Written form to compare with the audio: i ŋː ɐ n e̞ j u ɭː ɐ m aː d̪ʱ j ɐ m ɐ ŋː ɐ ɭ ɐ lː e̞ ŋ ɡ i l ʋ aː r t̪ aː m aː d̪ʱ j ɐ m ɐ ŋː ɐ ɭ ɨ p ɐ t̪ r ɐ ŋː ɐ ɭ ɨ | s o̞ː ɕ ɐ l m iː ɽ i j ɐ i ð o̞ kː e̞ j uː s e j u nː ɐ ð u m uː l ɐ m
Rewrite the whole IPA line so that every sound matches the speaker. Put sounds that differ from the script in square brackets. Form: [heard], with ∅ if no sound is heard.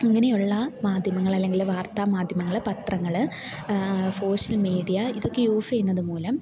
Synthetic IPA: i ŋː ɐ n e̞ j u ɭː ɐ m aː d̪ʱ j ɐ m ɐ ŋː ɐ ɭ ɐ lː e̞ ŋ ɡ i l ʋ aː r t̪ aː m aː d̪ʱ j ɐ m ɐ ŋː ɐ ɭ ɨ p ɐ t̪ r ɐ ŋː ɐ ɭ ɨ | s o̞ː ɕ ɐ l m iː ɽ i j ɐ i ð o̞ kː e̞ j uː [f] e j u nː ɐ ð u m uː l ɐ m